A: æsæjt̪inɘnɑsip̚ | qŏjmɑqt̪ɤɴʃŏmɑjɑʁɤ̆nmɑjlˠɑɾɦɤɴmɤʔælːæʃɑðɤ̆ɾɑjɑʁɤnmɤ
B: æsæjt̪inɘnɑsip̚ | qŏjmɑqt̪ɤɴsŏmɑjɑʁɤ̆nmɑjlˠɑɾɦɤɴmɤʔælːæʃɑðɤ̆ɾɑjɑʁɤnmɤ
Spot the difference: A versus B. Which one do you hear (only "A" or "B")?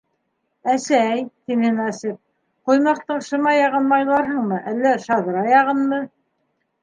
A